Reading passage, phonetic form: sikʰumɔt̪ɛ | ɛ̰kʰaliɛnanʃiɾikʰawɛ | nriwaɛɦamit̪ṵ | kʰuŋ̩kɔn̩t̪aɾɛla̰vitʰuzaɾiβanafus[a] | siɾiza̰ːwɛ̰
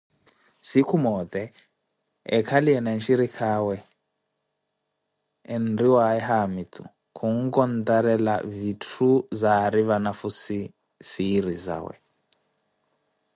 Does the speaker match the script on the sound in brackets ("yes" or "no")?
no